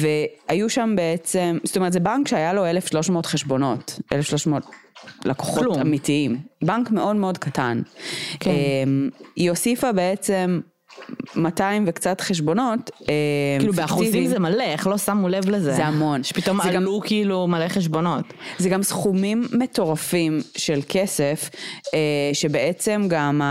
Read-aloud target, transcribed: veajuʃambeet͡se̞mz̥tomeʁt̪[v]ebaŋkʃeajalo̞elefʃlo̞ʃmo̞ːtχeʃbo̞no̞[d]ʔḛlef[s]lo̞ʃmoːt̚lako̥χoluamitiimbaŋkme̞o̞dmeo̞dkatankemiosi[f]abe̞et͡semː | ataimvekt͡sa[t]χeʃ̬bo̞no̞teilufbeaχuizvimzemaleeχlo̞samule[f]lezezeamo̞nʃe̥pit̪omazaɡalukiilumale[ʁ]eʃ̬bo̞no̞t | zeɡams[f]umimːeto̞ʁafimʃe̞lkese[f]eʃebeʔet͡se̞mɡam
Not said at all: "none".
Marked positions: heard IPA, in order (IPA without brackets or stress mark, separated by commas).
z, t, ʃ, f, t, v, χ, χ, f